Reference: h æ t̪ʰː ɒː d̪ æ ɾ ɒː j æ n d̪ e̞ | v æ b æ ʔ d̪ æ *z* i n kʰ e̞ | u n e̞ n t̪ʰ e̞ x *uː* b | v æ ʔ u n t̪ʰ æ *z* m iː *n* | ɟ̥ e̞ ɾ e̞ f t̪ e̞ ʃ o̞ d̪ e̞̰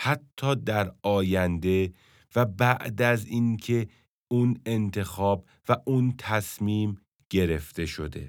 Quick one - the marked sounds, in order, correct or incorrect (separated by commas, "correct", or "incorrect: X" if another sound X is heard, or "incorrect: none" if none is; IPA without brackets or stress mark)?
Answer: correct, incorrect: ɒː, incorrect: s, incorrect: m